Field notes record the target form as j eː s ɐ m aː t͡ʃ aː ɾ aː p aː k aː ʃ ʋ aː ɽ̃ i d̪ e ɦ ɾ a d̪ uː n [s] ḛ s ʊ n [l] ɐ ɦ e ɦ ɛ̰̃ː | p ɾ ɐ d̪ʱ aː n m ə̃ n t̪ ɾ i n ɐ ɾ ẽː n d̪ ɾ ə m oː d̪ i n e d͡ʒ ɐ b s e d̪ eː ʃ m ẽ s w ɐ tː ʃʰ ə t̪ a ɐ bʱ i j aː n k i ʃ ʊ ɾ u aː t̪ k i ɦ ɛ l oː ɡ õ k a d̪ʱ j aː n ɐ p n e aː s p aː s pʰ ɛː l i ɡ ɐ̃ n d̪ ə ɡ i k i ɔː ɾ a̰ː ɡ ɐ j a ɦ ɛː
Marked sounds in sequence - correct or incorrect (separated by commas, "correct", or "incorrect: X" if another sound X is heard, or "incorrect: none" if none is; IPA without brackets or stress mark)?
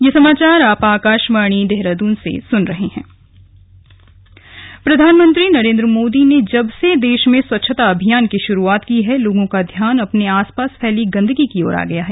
correct, incorrect: ɾ